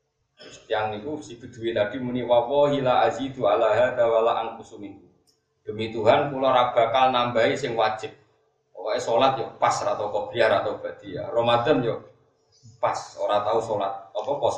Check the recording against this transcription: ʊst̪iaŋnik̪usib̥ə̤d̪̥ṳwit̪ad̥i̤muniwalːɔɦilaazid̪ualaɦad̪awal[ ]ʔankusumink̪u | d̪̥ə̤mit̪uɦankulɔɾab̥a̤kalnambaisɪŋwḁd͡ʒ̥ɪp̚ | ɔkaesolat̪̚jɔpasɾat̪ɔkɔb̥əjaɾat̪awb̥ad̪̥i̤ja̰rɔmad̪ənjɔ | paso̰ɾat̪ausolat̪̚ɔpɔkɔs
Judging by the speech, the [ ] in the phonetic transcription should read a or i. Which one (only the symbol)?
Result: a